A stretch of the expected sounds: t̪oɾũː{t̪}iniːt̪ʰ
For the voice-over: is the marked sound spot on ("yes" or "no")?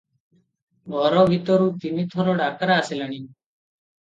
yes